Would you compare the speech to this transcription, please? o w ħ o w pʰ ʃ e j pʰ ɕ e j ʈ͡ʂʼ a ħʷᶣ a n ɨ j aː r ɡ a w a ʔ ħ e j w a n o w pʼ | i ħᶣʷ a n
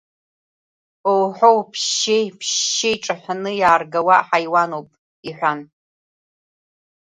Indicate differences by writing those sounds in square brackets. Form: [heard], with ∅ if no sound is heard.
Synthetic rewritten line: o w ħ o w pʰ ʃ e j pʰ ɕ e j ʈ͡ʂʼ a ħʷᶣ a n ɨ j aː r ɡ a w a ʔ ħ [a] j w a n o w pʼ | i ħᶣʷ a n